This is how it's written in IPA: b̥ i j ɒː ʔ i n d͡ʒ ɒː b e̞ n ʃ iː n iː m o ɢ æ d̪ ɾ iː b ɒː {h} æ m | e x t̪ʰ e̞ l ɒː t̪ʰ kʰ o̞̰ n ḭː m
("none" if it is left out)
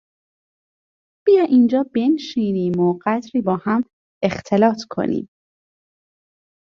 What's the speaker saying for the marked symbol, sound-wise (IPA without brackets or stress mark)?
h